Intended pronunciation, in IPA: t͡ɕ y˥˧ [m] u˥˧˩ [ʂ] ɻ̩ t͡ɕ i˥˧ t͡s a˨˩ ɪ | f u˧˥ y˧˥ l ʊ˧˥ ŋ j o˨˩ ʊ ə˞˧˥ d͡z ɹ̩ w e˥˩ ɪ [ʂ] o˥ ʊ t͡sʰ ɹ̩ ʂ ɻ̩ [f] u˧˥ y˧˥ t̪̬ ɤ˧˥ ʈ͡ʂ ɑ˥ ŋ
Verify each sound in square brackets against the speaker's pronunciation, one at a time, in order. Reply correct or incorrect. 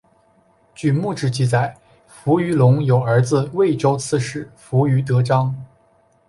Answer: correct, incorrect, incorrect, correct

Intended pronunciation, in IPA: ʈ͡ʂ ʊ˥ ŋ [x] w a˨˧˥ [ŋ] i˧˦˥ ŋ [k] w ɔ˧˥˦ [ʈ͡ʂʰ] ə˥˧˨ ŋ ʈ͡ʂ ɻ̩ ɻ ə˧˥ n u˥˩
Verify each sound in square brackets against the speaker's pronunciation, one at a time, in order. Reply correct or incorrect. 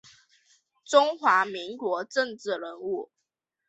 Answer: correct, incorrect, correct, incorrect

